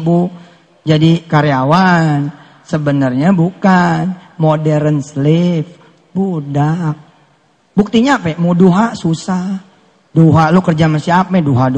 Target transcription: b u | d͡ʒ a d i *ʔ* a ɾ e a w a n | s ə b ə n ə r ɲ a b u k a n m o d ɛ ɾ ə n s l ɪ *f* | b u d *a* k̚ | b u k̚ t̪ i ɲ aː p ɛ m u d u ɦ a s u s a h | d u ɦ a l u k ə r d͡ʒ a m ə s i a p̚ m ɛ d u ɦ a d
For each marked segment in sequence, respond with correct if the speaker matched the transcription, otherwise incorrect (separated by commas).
incorrect, correct, correct